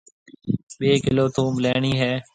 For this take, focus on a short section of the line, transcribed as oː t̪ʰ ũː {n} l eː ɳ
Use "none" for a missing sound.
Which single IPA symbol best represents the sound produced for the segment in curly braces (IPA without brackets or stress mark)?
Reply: m